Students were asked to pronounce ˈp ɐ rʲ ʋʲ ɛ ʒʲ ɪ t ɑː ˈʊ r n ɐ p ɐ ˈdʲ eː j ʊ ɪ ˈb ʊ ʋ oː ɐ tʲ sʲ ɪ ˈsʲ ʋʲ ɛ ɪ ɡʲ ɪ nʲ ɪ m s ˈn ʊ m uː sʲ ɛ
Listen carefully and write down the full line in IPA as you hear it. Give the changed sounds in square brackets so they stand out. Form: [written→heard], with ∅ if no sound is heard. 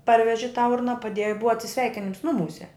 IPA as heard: ˈp ɐ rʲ ʋʲ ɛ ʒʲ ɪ t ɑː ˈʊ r n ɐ p ɐ ˈdʲ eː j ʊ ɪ ˈb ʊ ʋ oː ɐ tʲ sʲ ɪ ˈsʲ ʋʲ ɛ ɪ [ɡʲ→kʲ] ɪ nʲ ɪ m s ˈn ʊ m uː sʲ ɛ